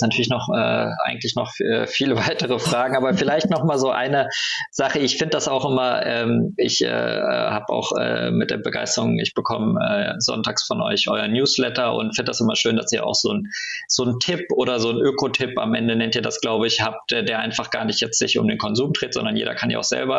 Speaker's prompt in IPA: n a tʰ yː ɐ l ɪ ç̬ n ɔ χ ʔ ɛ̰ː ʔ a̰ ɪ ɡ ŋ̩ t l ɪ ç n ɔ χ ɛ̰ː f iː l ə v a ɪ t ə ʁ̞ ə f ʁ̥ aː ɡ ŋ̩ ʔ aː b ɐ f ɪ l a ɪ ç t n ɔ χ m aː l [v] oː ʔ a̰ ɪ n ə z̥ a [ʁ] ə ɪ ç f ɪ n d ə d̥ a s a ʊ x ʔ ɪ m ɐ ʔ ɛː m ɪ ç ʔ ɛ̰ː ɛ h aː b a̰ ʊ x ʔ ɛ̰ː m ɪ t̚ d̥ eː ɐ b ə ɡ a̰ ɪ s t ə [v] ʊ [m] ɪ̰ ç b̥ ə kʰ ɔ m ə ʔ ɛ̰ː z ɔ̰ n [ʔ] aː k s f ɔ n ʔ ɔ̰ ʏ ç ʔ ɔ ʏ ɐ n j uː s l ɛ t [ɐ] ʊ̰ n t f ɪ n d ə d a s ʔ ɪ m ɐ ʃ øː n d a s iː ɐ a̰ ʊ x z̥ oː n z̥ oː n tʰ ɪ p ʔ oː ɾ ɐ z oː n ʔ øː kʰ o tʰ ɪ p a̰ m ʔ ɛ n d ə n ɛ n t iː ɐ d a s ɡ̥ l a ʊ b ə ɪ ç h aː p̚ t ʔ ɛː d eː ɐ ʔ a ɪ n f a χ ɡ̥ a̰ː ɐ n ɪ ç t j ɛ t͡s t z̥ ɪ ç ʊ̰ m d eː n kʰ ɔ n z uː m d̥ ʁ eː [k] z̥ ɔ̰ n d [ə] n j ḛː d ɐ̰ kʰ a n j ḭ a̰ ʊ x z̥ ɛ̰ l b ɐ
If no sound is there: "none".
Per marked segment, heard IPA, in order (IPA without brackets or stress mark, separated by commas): z, χ, ʁ, ŋ, t, ɐ, t, ɐ